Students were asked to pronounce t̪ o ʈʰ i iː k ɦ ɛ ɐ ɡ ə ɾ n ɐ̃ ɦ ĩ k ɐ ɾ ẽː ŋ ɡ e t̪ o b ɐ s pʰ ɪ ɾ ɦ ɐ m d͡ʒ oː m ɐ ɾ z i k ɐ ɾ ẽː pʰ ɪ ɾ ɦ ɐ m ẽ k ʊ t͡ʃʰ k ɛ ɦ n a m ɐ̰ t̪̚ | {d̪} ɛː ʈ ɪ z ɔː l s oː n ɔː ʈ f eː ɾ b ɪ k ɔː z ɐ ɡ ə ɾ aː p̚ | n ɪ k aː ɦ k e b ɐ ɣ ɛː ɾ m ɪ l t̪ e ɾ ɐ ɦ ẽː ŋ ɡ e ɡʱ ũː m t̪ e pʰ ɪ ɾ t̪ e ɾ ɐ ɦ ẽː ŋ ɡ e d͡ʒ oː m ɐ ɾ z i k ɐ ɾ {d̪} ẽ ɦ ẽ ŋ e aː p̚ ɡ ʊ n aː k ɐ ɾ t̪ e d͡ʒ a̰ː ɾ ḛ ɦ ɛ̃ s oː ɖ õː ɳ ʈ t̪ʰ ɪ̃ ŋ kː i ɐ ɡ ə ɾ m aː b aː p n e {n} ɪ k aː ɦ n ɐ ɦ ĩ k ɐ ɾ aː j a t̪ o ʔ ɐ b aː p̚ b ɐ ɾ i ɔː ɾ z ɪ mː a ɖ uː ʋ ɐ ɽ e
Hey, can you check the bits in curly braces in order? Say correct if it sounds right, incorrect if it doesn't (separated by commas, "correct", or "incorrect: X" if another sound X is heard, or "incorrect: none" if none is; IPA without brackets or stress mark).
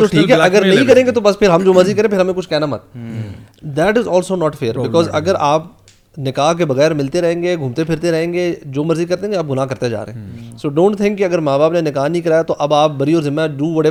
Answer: correct, incorrect: t̪, correct